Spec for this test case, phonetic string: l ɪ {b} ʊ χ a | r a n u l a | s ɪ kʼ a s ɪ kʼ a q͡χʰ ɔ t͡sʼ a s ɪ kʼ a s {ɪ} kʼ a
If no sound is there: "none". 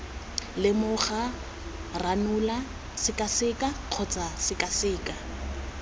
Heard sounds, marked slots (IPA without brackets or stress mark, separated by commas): m, ɪː